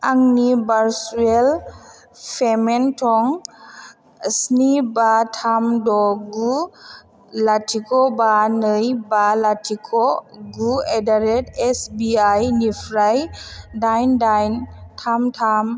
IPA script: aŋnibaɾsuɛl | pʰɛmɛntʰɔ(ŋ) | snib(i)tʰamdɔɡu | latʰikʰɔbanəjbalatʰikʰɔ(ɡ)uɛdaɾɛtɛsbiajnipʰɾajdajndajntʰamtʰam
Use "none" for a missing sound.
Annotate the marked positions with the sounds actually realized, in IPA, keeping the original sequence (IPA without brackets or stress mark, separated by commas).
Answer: ŋ, a, ɡ